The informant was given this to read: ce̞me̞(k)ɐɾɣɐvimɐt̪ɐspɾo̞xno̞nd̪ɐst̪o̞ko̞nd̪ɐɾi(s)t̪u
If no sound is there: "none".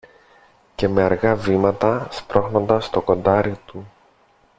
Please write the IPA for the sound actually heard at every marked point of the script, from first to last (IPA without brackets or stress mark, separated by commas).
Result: none, none